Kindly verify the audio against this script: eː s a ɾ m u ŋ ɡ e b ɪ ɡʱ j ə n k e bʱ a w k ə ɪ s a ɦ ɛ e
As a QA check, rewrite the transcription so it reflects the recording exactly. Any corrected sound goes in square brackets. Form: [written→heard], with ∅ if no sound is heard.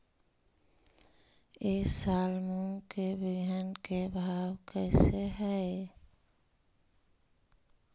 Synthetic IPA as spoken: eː s a [ɾ→l] m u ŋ [ɡ→k] e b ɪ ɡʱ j [ə→a] n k e bʱ a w k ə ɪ s [a→e] ɦ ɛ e